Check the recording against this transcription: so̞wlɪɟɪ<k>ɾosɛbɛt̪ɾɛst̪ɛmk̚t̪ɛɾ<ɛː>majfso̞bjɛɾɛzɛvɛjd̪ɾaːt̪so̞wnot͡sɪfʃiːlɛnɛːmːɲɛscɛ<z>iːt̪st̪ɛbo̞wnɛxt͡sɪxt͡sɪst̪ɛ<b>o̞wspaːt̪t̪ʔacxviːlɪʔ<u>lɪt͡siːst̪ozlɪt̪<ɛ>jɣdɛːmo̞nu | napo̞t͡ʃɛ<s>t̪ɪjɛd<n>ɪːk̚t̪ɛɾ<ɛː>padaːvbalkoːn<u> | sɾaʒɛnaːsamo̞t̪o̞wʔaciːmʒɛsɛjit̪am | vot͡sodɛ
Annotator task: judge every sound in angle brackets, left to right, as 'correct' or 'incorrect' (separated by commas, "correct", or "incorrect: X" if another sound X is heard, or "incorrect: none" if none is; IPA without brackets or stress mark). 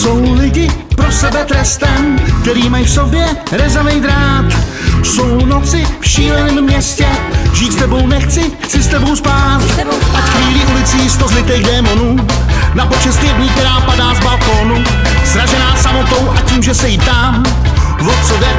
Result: incorrect: p, incorrect: iː, incorrect: ʒ, correct, correct, correct, correct, incorrect: ɲ, incorrect: aː, correct